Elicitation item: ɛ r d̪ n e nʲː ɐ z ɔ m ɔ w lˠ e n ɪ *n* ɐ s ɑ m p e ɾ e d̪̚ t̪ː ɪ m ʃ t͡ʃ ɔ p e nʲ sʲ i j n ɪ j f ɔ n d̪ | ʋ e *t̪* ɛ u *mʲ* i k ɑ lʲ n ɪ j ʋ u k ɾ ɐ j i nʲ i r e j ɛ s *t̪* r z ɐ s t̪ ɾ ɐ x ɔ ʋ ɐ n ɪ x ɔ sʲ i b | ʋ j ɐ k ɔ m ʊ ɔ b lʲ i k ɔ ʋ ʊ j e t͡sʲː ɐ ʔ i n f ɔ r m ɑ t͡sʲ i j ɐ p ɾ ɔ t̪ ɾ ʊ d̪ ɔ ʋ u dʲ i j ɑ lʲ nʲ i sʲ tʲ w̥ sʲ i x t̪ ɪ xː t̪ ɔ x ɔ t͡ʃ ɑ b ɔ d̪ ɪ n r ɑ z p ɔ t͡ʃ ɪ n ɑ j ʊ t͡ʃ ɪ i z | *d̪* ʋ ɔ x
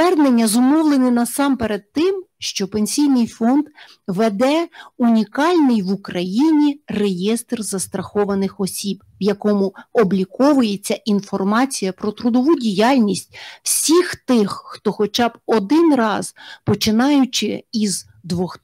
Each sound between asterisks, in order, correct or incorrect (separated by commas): correct, incorrect, incorrect, correct, correct